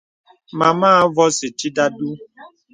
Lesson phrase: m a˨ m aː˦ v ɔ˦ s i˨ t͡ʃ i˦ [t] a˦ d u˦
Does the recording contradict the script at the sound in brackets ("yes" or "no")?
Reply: yes